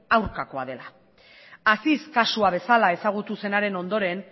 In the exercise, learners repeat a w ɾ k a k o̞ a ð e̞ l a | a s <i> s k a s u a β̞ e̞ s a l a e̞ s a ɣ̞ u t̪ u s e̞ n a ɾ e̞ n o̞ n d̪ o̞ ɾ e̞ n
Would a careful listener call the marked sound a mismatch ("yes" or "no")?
no